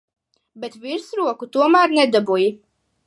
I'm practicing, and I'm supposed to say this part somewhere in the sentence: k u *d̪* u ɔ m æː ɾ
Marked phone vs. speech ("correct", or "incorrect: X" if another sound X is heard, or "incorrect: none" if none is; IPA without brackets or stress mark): incorrect: t̪